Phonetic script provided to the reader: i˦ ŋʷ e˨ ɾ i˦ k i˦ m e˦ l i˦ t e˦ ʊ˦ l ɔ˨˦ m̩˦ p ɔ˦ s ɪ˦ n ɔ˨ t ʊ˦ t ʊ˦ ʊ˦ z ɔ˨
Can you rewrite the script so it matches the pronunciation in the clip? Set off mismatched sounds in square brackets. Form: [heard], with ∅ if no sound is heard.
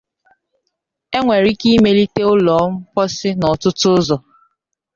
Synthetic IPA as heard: [e˦] ŋʷ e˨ ɾ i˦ k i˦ m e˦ l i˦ t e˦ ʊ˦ l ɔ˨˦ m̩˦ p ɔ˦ s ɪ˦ n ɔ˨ t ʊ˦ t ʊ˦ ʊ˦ z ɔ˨